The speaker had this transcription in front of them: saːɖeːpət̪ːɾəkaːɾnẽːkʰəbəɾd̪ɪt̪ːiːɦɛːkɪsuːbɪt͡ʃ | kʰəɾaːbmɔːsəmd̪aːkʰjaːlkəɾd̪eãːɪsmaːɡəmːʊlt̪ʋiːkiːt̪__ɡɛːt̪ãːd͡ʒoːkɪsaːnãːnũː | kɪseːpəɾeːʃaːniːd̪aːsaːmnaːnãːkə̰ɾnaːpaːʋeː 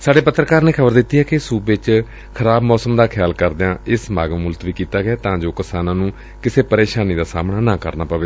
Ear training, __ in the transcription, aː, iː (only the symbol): aː